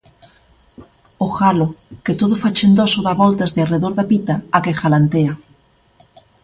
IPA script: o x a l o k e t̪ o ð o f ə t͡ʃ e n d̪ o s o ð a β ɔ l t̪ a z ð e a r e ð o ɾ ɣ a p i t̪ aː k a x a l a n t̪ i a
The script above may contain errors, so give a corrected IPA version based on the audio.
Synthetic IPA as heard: o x a l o k e t̪ o ð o f a t͡ʃ e n d̪ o s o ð a β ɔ l t̪ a z ð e a r e ð o ɾ ð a p i t̪ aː k e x a l a n t̪ e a